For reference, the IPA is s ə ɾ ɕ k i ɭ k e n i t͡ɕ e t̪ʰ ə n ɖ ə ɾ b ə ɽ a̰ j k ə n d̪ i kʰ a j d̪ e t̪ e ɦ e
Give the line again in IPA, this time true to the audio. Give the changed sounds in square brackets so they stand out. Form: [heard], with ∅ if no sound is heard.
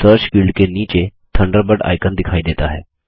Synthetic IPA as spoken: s ə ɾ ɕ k i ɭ k e n i t͡ɕ e t̪ʰ ə [ɳ] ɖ ə ɾ b ə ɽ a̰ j k ə n d̪ i kʰ a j d̪ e t̪ [a] ɦ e